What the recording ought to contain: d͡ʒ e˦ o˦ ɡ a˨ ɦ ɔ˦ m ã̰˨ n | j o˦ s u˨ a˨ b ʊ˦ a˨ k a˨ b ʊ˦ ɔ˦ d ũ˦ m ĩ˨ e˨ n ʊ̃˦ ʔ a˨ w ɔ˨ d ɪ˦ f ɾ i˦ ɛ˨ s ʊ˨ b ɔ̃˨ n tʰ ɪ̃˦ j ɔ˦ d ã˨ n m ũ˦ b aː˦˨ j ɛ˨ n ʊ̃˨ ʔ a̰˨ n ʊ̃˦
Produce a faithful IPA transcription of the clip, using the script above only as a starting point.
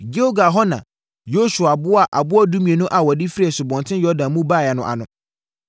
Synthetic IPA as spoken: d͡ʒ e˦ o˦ ɡ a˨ ɦ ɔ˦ n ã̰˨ | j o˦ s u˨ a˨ b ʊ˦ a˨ ʔ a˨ b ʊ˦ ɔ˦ d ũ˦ m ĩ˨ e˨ n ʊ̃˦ ʔ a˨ w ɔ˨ d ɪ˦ f ɾ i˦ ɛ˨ s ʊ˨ b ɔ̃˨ n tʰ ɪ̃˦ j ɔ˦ d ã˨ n m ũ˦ b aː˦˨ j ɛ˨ n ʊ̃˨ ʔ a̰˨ n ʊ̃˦